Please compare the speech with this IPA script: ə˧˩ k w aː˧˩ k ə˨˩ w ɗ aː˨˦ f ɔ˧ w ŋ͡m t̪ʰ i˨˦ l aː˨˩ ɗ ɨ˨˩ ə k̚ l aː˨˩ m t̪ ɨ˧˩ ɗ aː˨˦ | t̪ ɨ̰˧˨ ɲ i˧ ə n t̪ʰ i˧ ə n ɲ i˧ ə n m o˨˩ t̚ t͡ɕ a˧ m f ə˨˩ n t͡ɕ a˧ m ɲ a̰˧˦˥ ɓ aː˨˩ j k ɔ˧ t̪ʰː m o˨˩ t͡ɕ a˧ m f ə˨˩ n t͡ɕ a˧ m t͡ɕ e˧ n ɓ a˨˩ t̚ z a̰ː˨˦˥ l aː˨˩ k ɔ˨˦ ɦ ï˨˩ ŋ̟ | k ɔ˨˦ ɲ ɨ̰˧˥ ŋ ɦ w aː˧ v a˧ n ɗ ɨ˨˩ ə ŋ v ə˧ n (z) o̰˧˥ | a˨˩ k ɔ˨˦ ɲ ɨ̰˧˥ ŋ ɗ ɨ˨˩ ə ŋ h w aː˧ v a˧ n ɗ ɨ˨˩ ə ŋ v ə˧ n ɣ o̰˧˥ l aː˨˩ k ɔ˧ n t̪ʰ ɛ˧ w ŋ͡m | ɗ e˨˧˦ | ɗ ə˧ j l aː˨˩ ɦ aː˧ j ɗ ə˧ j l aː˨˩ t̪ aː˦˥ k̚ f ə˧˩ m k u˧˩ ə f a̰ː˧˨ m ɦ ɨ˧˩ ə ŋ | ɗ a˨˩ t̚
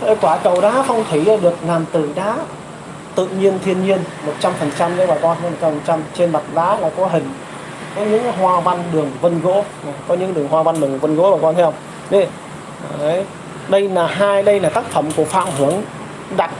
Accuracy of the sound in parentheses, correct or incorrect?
incorrect